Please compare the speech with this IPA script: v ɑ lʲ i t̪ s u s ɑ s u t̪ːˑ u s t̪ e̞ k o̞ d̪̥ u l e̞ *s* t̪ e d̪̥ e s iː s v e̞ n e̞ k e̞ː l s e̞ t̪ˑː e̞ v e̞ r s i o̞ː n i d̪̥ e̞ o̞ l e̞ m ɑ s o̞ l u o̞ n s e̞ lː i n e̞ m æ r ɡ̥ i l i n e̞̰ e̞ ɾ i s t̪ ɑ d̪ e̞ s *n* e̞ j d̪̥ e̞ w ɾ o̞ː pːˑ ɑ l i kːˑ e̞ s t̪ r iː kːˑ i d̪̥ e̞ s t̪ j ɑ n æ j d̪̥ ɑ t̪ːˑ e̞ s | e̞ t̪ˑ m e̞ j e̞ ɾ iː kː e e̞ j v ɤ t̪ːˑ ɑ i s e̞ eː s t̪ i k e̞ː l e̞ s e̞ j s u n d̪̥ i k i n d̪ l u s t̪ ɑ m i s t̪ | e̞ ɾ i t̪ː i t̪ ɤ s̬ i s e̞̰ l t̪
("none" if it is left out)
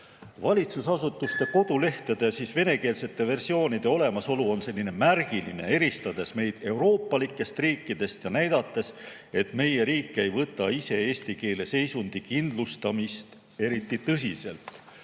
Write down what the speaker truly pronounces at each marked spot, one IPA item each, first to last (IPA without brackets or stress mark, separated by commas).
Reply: h, m